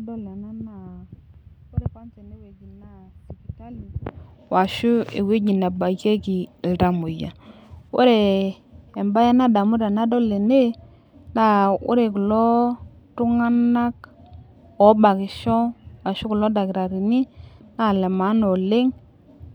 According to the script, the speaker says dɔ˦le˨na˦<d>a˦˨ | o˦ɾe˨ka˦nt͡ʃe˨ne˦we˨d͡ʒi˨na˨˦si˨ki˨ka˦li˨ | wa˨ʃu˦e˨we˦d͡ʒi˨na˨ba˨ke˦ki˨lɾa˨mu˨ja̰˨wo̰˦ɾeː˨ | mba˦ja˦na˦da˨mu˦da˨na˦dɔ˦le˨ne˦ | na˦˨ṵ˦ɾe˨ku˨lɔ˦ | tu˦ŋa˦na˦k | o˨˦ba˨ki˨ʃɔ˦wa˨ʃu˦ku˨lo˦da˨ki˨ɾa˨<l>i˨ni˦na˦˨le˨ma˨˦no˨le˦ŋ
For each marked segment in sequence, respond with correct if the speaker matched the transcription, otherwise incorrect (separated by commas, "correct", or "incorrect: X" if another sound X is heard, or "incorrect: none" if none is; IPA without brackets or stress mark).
incorrect: n, incorrect: ɾ